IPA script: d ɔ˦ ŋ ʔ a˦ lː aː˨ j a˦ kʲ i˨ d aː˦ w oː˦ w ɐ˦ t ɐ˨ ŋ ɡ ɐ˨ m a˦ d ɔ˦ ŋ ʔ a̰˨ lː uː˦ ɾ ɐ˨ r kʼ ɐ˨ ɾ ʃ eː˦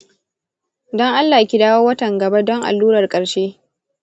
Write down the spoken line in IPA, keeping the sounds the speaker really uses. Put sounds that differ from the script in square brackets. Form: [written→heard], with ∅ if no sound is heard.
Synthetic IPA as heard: d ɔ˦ ŋ ʔ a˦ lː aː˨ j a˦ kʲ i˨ d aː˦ w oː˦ w ɐ˦ t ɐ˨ ŋ ɡ ɐ˨ [m→b] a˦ d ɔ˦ ŋ ʔ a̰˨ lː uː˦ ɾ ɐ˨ r kʼ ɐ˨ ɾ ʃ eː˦